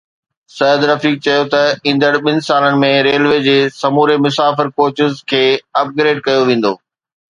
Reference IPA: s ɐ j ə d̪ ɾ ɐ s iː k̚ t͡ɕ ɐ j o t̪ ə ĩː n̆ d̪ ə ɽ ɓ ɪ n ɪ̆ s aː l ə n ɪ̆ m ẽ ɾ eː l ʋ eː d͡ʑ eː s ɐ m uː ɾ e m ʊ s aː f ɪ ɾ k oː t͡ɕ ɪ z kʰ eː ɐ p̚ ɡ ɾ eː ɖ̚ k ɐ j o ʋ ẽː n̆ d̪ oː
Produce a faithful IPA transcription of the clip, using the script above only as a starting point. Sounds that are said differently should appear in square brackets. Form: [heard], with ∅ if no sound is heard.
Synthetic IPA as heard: s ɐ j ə d̪ ɾ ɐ [f] iː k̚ t͡ɕ ɐ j o t̪ [ɐ] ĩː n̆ d̪ ə ɽ ɓ ɪ n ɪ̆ s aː l ə n ɪ̆ m ẽ ɾ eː l ʋ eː d͡ʑ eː s ɐ m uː ɾ e m ʊ s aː f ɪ ɾ k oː t͡ɕ ɪ z kʰ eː ɐ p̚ ɡ ɾ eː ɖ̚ k ɐ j o ʋ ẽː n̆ d̪ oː